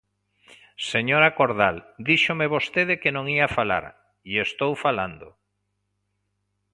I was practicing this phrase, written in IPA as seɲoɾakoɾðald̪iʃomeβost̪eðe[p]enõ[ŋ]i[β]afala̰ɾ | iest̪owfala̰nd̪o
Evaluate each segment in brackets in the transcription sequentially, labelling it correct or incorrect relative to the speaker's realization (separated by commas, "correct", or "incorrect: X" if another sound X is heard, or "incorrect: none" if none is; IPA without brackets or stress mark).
incorrect: k, correct, incorrect: none